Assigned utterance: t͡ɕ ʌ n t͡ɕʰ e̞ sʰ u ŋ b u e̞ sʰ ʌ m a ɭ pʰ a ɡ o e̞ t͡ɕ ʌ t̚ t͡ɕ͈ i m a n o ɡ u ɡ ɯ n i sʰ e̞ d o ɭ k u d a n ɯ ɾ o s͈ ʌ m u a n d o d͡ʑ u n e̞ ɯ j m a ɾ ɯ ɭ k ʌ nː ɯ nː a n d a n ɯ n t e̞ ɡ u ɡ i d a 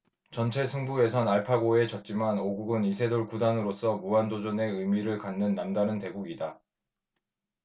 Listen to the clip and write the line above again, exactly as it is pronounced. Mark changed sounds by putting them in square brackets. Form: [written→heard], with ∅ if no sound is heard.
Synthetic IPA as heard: t͡ɕ ʌ n t͡ɕʰ e̞ sʰ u ŋ b u e̞ sʰ ʌ [m→n] a ɭ pʰ a ɡ o e̞ t͡ɕ ʌ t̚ t͡ɕ͈ i m a n o ɡ u ɡ ɯ n i sʰ e̞ d o ɭ k u d a n ɯ ɾ o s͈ ʌ m u a n d o d͡ʑ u n e̞ ɯ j m [a→i] ɾ ɯ ɭ k [ʌ→a] nː ɯ nː a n d a n ɯ n t e̞ ɡ u ɡ i d a

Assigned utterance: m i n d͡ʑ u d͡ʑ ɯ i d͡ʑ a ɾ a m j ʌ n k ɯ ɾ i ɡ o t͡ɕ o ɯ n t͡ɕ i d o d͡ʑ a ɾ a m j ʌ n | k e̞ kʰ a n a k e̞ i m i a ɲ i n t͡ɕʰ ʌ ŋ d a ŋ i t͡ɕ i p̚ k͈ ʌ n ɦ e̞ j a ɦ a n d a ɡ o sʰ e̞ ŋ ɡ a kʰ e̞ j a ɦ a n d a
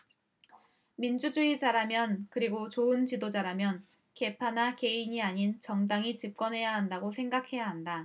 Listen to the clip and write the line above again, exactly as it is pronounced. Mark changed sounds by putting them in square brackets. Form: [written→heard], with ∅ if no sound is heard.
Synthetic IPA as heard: m i n d͡ʑ u d͡ʑ [ɯ→u] i d͡ʑ a ɾ a m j ʌ n k ɯ ɾ i ɡ o t͡ɕ o ɯ n t͡ɕ i d o d͡ʑ a ɾ a m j ʌ n | k e̞ [kʰ→pʰ] a n a k e̞ i [m→ɲ] i a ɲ i n [t͡ɕʰ→t͡ɕ] ʌ ŋ d a ŋ i t͡ɕ i p̚ k͈ ʌ n ɦ e̞ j a ɦ a n d a ɡ o sʰ e̞ ŋ ɡ a kʰ e̞ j a ɦ a n d a

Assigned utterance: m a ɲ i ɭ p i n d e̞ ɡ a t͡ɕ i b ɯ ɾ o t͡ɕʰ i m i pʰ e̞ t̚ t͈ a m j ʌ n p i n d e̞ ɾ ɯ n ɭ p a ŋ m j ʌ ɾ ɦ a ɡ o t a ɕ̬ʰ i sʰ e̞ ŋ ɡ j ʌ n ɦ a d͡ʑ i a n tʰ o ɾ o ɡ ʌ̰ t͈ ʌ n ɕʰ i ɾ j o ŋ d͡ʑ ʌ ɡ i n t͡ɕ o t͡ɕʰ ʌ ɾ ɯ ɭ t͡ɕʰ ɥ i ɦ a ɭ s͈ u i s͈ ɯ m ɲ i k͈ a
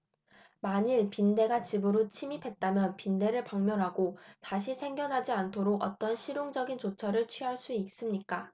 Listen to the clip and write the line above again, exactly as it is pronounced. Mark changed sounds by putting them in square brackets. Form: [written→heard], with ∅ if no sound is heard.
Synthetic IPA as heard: m a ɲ i ɭ p i n d e̞ ɡ a t͡ɕ i b ɯ ɾ o t͡ɕʰ i m i pʰ e̞ t̚ t͈ a m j ʌ n p i n d e̞ ɾ ɯ [n→∅] ɭ p a ŋ m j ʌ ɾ ɦ a ɡ o t a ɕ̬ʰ i sʰ e̞ ŋ ɡ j ʌ n ɦ a d͡ʑ i a n tʰ o ɾ o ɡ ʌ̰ t͈ ʌ n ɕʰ i ɾ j o ŋ d͡ʑ ʌ ɡ i n t͡ɕ o t͡ɕʰ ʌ ɾ ɯ ɭ t͡ɕʰ ɥ i ɦ a ɭ s͈ u i s͈ ɯ m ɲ i k͈ a

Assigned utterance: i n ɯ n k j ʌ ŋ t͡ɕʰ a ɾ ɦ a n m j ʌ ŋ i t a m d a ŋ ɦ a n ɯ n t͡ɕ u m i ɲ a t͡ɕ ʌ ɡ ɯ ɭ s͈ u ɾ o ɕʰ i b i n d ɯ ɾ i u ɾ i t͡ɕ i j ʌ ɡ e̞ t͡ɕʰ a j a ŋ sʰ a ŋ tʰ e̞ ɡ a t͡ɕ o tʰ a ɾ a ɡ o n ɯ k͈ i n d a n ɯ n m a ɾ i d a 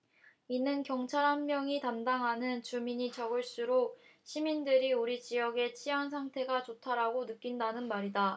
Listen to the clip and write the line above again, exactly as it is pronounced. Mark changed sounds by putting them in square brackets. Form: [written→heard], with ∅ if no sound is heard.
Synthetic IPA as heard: i n ɯ n k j ʌ ŋ t͡ɕʰ a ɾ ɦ a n m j ʌ ŋ i t a m d a ŋ ɦ a n ɯ n t͡ɕ u m i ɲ [a→i] t͡ɕ ʌ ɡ ɯ ɭ s͈ u ɾ o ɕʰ i [b→m] i n d ɯ ɾ i u ɾ i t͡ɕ i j ʌ ɡ e̞ t͡ɕʰ [a→i] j a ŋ sʰ a ŋ tʰ e̞ ɡ a t͡ɕ o tʰ a ɾ a ɡ o n ɯ k͈ i n d a n ɯ n m a ɾ i d a

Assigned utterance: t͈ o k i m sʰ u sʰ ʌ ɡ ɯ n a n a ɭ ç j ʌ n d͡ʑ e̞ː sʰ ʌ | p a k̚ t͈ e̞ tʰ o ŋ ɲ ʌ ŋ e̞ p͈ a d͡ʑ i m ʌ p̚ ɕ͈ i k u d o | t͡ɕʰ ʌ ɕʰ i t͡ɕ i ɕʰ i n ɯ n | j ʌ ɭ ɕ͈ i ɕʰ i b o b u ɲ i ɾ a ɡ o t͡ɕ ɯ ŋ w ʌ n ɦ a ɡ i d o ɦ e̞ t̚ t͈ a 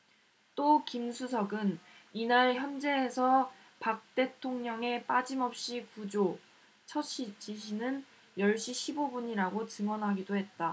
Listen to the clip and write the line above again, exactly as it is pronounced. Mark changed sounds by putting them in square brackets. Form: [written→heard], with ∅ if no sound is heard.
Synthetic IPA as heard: t͈ o k i m sʰ u sʰ ʌ ɡ ɯ n [a→i] n a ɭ ç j ʌ n d͡ʑ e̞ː sʰ ʌ | p a k̚ t͈ e̞ tʰ o ŋ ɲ ʌ ŋ e̞ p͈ a d͡ʑ i m ʌ p̚ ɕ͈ i k u [d→d͡ʑ] o | t͡ɕʰ ʌ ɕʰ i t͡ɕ i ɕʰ i n ɯ n | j ʌ ɭ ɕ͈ i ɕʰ i b o b u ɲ i ɾ a ɡ o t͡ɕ ɯ ŋ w ʌ n ɦ a ɡ i d o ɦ e̞ t̚ t͈ a

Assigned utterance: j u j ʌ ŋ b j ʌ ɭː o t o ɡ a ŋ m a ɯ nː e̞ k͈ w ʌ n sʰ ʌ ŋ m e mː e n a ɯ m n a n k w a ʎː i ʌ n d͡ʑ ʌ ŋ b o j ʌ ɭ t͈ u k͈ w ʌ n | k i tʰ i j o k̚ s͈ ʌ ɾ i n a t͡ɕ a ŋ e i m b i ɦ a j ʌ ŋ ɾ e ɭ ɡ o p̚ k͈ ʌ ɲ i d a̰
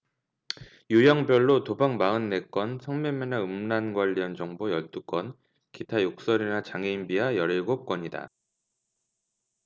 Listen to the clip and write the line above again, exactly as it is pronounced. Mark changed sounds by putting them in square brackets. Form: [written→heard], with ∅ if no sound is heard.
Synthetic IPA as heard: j u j ʌ ŋ b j ʌ ɭː o t o [ɡ→b] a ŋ m a ɯ nː e̞ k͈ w ʌ n sʰ ʌ ŋ m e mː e n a ɯ m n a n [k→ɡ] w a ʎː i ʌ n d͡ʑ ʌ ŋ b o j ʌ ɭ t͈ u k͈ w ʌ n | k i tʰ [i→a] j o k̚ s͈ ʌ ɾ i n a t͡ɕ a ŋ e i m b i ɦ a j ʌ [ŋ→∅] ɾ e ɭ ɡ o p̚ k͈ ʌ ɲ i d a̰

